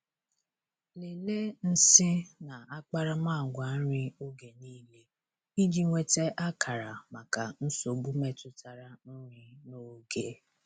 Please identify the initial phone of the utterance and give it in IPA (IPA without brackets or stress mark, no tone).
l